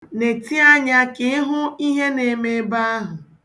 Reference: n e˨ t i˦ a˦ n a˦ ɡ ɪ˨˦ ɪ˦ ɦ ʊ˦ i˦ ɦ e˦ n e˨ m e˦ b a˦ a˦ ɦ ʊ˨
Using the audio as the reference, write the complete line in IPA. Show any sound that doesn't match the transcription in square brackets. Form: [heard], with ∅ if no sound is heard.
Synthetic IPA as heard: n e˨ t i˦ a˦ [ɲ] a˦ [k] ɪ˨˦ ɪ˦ ɦ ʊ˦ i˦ ɦ e˦ n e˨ m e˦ b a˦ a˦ ɦ ʊ˨